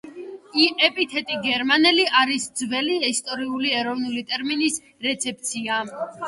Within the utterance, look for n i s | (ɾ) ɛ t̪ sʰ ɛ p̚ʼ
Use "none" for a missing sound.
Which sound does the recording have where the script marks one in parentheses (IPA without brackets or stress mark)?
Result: ɾ